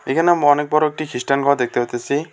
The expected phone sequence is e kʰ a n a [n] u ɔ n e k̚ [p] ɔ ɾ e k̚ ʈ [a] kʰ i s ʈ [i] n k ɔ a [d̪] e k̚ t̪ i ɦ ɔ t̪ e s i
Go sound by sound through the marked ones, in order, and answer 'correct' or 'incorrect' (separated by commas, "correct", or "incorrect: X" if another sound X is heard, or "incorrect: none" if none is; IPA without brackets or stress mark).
incorrect: m, incorrect: b, incorrect: i, incorrect: a, correct